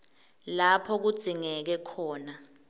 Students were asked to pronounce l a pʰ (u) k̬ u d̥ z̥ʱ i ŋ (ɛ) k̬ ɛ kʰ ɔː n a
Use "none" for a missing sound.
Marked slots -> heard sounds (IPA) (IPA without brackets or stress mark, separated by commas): ɔ, ɛ